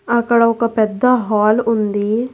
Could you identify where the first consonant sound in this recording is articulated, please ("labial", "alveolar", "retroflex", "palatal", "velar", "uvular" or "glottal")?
velar